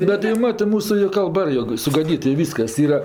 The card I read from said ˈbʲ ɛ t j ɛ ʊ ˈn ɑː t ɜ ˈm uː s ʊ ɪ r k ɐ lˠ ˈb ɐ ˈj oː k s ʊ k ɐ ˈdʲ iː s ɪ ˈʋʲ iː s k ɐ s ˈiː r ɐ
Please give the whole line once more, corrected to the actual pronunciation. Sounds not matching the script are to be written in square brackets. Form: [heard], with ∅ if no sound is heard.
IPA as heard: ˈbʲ ɛ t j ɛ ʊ [ˈm] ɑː t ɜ ˈm uː s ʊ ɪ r k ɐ lˠ ˈb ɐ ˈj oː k s ʊ [ɡ] ɐ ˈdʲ iː [t] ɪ ˈʋʲ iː s k ɐ s ˈiː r ɐ

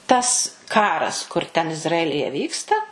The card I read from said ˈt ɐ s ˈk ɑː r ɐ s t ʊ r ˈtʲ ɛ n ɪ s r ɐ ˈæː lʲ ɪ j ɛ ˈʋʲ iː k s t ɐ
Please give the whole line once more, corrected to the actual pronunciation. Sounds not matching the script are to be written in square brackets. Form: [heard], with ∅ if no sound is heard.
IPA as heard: ˈt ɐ s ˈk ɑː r ɐ s [k] ʊ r ˈtʲ ɛ n ɪ [z] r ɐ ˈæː lʲ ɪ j ɛ ˈʋʲ iː k s t ɐ

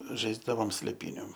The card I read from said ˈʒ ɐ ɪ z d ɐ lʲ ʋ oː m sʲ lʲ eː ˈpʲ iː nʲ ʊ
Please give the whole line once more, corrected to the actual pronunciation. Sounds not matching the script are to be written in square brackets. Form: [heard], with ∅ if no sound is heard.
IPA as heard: ˈʒ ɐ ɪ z d ɐ [∅] ʋ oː m sʲ lʲ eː ˈpʲ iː nʲ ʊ

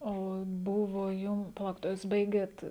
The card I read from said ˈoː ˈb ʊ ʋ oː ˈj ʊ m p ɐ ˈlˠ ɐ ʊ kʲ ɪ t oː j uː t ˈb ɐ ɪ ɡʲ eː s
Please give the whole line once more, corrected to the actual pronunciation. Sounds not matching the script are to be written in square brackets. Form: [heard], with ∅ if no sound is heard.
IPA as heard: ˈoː ˈb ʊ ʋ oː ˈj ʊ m p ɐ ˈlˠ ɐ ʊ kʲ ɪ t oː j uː [s] ˈb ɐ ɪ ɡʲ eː [t]

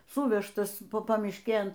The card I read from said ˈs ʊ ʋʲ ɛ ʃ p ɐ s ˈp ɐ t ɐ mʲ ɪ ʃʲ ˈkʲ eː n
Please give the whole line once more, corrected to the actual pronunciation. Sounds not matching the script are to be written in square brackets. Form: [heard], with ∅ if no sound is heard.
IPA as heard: ˈs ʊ ʋʲ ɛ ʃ [t] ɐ s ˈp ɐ [p] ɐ mʲ ɪ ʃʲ ˈkʲ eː n

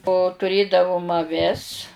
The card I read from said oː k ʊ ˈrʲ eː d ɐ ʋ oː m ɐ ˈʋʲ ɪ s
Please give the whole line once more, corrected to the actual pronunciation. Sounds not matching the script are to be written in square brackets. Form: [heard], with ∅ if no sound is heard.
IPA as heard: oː [t] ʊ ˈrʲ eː d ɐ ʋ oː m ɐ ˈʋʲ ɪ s

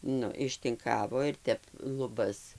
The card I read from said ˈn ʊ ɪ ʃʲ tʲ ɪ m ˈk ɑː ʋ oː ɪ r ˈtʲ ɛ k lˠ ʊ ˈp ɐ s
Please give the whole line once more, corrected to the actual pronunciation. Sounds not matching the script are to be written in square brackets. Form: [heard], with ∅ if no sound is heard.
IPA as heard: ˈn ʊ ɪ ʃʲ tʲ ɪ [ŋ] ˈk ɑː ʋ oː ɪ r ˈtʲ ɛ [p] lˠ ʊ [ˈb] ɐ s

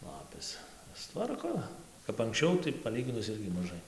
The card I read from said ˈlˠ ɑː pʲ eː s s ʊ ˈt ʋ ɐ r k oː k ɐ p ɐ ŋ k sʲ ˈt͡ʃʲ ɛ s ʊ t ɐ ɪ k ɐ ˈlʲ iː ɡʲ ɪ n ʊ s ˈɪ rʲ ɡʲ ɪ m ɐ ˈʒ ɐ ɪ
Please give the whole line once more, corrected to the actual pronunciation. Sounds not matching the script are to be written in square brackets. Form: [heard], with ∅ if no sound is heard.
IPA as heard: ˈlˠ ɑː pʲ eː s s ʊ ˈt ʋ ɐ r k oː k ɐ p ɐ ŋ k sʲ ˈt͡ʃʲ ɛ [∅] ʊ t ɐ ɪ [p] ɐ ˈlʲ iː ɡʲ ɪ n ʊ s ˈɪ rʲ ɡʲ ɪ m ɐ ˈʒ ɐ ɪ

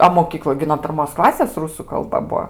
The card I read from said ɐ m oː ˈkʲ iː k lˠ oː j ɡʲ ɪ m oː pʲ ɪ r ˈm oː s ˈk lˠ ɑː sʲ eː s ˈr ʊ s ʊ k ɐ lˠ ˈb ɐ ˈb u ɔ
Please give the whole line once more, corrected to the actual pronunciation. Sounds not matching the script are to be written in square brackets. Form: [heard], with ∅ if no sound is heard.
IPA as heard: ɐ m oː ˈkʲ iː k lˠ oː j ɡʲ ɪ [n] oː pʲ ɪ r ˈm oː s ˈk lˠ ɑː sʲ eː s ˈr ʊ s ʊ k ɐ lˠ ˈb ɐ ˈb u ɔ

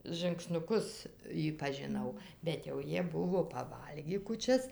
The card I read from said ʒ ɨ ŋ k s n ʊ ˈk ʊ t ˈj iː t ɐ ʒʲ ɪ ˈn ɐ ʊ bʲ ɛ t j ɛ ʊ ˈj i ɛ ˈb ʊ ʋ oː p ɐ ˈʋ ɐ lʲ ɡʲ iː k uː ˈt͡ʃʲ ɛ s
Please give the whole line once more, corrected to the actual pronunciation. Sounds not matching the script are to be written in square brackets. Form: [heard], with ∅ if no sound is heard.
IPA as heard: ʒ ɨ ŋ k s n ʊ ˈk ʊ [s] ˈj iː [p] ɐ ʒʲ ɪ ˈn ɐ ʊ bʲ ɛ t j ɛ ʊ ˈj i ɛ ˈb ʊ ʋ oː p ɐ ˈʋ ɐ lʲ ɡʲ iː k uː ˈt͡ʃʲ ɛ s

